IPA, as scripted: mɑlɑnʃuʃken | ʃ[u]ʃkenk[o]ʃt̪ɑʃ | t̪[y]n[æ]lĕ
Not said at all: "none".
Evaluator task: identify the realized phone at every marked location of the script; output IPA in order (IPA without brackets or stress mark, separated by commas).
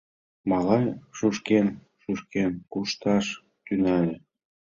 u, u, y, æ